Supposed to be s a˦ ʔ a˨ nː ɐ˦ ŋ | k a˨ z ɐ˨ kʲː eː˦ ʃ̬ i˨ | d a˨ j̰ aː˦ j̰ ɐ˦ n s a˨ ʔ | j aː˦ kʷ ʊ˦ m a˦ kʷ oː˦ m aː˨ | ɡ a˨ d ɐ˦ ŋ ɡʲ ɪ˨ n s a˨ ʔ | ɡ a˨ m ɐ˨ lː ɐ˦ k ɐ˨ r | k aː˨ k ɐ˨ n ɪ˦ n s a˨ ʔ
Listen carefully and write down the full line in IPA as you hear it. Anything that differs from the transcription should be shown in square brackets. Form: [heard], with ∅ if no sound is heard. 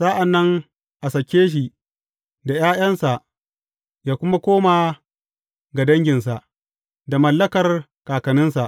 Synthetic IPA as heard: s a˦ ʔ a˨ nː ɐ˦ ŋ | [ʔ] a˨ [s] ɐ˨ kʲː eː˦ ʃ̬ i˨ | d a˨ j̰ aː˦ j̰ ɐ˦ n s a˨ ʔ | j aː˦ kʷ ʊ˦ m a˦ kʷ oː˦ m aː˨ | ɡ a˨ d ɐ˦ ŋ ɡʲ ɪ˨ n s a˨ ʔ | [d] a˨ m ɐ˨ lː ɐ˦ k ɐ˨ r | k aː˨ k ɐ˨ n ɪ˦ n s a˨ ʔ